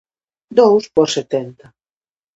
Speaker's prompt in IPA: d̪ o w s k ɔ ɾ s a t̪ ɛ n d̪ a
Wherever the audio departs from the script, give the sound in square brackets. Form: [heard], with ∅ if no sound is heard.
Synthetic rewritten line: d̪ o w s [p] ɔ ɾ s [e] t̪ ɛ n [t̪] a